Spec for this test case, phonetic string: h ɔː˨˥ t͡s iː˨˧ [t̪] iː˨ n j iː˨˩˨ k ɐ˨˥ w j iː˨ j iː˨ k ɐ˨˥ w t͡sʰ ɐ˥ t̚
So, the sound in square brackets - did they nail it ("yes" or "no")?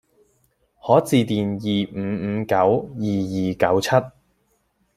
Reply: yes